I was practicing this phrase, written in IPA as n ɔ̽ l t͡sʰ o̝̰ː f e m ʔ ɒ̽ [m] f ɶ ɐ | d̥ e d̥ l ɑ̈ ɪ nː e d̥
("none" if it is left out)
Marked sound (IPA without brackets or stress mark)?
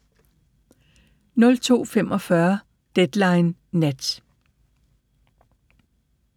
none